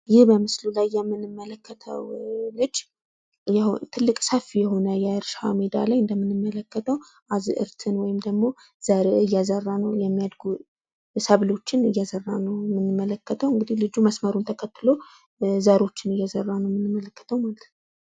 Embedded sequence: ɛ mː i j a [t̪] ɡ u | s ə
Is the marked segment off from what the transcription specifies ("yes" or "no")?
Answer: yes